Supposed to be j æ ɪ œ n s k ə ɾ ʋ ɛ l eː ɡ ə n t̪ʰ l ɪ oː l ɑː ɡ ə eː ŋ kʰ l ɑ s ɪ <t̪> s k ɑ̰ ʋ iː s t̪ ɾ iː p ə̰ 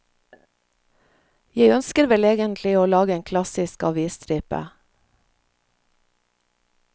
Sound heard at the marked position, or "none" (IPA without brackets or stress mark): none